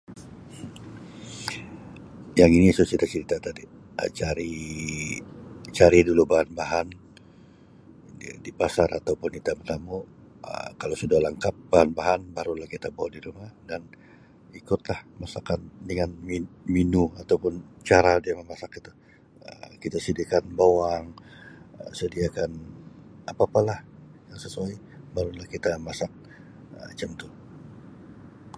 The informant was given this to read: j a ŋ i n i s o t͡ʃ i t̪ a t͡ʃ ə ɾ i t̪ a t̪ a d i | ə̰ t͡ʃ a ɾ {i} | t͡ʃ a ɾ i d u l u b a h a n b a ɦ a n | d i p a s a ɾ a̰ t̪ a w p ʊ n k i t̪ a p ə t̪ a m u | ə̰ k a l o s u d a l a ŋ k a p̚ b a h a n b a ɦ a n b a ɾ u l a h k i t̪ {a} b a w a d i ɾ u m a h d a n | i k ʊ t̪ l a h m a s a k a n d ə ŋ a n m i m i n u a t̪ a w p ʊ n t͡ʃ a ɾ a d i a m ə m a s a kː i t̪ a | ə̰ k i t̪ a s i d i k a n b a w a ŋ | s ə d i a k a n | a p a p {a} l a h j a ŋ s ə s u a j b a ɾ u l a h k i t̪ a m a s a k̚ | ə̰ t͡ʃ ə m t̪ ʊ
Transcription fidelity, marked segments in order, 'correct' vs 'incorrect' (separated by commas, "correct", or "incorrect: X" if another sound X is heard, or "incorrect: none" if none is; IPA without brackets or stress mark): correct, correct, correct